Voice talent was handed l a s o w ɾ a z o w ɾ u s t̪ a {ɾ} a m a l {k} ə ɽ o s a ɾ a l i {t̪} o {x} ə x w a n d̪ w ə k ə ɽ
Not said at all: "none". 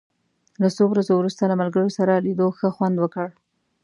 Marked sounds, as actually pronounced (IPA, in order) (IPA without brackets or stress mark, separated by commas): l, ɡ, d̪, x